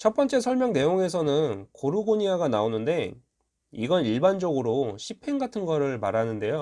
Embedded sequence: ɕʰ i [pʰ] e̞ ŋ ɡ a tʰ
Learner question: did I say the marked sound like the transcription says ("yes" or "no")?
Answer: yes